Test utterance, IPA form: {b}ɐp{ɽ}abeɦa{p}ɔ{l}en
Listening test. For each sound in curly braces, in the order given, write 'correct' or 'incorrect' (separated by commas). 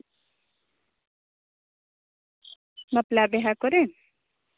incorrect, incorrect, incorrect, incorrect